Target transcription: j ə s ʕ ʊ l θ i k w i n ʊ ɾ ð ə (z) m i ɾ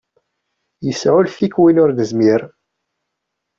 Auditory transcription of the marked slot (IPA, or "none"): z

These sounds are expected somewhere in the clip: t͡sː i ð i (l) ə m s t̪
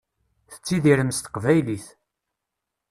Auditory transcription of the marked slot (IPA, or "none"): ɾ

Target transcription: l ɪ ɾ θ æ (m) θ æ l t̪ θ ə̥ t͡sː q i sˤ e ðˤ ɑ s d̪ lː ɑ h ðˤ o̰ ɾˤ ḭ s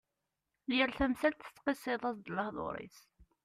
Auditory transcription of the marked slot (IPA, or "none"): m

